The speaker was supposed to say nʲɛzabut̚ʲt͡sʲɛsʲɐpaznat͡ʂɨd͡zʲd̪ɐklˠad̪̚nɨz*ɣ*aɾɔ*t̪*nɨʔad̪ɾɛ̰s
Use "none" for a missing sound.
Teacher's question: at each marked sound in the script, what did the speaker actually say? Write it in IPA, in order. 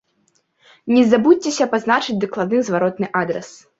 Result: v, t̪

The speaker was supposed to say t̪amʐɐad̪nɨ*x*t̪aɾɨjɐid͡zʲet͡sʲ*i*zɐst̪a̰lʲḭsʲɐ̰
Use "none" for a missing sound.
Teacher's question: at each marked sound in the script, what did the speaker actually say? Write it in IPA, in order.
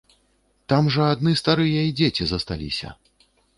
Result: s, i

